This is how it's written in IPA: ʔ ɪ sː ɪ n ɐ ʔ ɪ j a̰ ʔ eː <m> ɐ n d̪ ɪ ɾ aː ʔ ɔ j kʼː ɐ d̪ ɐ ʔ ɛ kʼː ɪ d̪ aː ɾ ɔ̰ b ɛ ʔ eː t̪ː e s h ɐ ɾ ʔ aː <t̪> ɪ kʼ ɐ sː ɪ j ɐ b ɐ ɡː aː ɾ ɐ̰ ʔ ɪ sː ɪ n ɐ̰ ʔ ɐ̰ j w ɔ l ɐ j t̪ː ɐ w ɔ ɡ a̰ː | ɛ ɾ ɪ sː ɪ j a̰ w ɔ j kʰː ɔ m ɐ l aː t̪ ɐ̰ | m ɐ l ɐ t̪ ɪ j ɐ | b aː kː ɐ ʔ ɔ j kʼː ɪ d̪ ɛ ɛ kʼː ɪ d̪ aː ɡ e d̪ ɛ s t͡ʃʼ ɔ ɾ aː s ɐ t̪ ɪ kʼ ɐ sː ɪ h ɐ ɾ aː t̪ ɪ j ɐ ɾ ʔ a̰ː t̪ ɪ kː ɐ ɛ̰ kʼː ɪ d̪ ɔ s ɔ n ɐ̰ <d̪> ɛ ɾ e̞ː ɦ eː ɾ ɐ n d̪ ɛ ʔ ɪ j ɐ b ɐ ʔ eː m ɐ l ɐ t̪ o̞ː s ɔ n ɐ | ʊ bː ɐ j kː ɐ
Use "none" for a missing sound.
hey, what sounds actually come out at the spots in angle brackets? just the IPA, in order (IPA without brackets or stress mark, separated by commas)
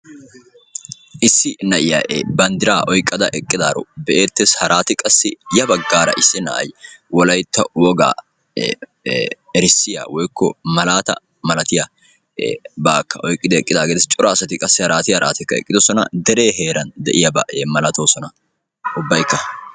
b, t̪, d̪